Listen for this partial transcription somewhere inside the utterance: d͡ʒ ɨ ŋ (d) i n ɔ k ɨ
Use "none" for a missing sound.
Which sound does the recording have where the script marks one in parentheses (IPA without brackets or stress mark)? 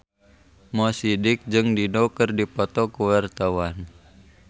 d